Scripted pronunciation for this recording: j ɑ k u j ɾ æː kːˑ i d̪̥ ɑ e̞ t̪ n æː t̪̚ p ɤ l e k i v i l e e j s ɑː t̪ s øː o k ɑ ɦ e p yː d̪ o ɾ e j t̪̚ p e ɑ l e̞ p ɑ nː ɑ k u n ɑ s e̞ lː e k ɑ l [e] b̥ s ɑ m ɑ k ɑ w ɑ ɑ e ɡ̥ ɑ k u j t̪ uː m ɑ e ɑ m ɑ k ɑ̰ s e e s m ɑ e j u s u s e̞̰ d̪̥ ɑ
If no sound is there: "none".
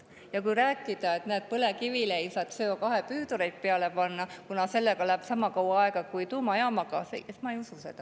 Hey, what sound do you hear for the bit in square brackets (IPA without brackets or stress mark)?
æ